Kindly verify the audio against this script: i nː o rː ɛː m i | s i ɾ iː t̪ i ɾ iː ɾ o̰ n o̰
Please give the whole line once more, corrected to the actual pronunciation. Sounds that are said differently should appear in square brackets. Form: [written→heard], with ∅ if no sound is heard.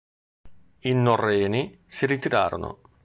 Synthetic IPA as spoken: i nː o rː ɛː [m→n] i | s i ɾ [iː→i] t̪ i ɾ [iː→aː] ɾ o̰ n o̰